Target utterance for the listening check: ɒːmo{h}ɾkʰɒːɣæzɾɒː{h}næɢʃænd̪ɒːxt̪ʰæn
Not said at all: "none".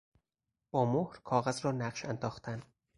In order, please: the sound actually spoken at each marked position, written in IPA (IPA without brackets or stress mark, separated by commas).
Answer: h, none